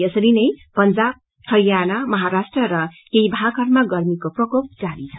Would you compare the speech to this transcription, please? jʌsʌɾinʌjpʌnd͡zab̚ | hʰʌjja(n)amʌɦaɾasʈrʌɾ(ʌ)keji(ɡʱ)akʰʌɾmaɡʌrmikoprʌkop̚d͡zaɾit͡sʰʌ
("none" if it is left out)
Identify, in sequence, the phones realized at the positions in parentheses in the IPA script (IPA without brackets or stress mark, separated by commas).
n, ʌ, bʱ